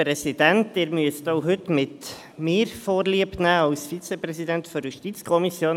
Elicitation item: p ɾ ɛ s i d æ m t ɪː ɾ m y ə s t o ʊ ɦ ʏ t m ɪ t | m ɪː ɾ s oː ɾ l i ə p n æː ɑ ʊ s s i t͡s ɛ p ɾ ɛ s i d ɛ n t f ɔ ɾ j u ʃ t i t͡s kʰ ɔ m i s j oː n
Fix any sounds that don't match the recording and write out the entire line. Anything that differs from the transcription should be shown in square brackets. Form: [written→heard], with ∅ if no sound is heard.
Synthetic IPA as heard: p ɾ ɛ s i d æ [m→n] t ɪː ɾ m y ə s t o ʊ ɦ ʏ t m ɪ t | m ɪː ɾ [s→f] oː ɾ l i ə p n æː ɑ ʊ s [s→f] i t͡s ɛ p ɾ ɛ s i d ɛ n t f ɔ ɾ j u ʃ t i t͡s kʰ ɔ m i s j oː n